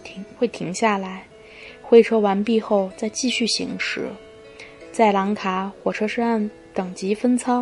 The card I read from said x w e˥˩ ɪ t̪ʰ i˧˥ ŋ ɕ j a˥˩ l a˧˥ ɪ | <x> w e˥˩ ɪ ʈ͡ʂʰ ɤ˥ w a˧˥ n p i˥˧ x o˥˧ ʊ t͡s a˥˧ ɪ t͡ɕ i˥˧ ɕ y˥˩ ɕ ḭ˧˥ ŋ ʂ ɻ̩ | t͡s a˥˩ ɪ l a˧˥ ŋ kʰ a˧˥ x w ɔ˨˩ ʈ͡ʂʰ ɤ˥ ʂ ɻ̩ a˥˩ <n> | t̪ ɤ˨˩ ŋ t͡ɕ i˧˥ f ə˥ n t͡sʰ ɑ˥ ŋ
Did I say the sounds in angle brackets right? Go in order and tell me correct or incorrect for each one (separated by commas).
correct, correct